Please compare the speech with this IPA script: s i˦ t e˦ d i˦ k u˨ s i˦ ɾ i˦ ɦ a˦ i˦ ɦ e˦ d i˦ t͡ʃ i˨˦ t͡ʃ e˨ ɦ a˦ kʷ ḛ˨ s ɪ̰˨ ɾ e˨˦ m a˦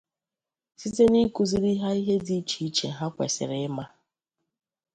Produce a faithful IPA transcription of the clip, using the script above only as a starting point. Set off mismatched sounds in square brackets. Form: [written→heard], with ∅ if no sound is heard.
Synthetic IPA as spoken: s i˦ t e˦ [d→n] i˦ k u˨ [s→z] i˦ ɾ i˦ ɦ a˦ i˦ ɦ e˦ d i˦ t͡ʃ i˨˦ t͡ʃ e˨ ɦ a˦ kʷ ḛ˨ s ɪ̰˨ ɾ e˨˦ m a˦